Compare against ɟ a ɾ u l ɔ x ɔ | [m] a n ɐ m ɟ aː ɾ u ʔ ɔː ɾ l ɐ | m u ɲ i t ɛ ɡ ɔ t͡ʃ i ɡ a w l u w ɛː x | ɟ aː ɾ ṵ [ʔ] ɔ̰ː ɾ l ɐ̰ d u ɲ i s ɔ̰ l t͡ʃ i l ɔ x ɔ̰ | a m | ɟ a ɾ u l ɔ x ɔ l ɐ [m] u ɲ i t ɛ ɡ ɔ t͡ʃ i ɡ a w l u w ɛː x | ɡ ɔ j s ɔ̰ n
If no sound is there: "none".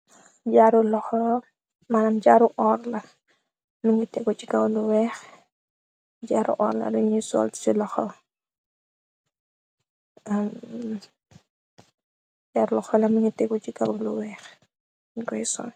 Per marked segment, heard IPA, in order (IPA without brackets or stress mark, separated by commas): m, ʔ, m